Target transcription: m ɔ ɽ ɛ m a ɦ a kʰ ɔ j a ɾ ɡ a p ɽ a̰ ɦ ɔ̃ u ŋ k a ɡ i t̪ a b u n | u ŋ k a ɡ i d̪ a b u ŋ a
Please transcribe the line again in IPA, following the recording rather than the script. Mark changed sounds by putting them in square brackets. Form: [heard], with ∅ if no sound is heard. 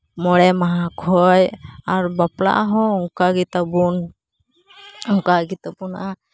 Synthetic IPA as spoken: m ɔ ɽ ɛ m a ɦ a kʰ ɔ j a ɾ [b] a p [l] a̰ ɦ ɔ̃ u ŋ k a ɡ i t̪ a b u n | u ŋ k a ɡ i [t̪] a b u [n] a

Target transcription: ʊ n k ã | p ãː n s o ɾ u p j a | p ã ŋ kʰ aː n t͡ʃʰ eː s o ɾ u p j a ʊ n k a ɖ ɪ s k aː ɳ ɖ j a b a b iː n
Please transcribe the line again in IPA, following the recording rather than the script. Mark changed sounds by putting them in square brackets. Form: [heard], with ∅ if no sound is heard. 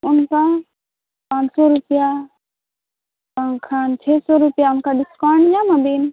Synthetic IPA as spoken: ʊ n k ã | p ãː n s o ɾ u p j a | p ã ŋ kʰ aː n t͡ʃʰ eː s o ɾ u p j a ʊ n k a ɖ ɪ s k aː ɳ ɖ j a [m] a b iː n

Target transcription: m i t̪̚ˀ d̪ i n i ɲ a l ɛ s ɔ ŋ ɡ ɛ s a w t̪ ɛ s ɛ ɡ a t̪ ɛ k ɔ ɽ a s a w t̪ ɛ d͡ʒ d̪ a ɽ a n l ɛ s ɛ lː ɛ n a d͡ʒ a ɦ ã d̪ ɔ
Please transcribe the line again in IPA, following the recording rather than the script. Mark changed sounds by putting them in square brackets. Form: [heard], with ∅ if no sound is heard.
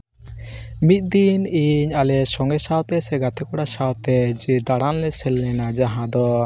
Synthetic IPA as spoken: m i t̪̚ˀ d̪ i n i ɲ a l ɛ s ɔ ŋ ɡ ɛ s a w t̪ ɛ s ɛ ɡ a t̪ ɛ k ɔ ɽ a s a w t̪ ɛ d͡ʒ d̪ a ɽ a n l ɛ s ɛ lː ɛ n a d͡ʒ a ɦ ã d̪ ɔ

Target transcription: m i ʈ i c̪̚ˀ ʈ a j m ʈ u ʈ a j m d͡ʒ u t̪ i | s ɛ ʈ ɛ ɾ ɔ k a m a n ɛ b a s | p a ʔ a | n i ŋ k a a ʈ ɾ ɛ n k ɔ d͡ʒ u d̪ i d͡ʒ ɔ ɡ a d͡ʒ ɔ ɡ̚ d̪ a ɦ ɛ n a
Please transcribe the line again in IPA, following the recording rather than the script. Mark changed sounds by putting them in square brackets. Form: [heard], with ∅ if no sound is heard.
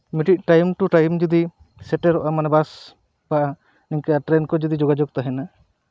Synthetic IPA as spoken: m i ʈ i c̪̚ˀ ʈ a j m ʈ u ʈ a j m d͡ʒ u [d̪] i | s ɛ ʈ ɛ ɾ ɔ [ʔ] a m a n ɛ b a s | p a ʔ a | n i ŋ k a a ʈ ɾ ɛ n k ɔ d͡ʒ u d̪ i d͡ʒ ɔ ɡ a d͡ʒ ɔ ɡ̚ [t̪] a ɦ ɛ n a

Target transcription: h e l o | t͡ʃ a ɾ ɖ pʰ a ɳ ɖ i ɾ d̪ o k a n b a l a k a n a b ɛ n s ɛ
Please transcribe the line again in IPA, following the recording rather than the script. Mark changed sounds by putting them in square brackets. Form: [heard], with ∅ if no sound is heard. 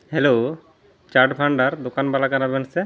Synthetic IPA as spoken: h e l o | t͡ʃ a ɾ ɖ pʰ a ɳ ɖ [a] ɾ d̪ o k a n b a l a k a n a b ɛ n s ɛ

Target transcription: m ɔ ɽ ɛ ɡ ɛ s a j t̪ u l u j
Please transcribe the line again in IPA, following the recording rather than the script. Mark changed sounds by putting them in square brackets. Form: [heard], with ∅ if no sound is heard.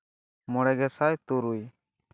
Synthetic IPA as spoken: m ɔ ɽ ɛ ɡ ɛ s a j t̪ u [ɾ] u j

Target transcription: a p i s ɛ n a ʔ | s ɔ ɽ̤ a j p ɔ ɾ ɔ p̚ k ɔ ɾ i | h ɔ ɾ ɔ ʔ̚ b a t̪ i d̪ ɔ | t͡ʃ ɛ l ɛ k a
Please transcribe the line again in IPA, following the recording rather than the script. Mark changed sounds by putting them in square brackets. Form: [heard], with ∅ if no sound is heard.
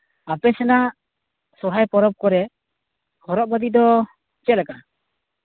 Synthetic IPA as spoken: a p [ɛ] s ɛ n a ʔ | s ɔ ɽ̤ a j p ɔ ɾ ɔ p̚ k ɔ ɾ [ɛ] | h ɔ ɾ ɔ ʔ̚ b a [d̪] i d̪ ɔ | t͡ʃ ɛ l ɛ k a

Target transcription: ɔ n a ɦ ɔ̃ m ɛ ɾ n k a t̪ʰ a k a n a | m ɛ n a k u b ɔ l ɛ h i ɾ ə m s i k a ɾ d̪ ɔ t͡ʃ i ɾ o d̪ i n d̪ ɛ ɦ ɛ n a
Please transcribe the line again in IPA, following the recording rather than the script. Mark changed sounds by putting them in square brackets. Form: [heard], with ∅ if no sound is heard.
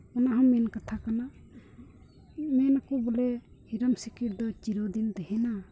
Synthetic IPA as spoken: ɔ n a ɦ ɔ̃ m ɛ [∅] n k a t̪ʰ a k a n a | m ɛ n a k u b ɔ l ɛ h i ɾ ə m s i k [i] ɾ d̪ ɔ t͡ʃ i ɾ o d̪ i n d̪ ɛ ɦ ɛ n a

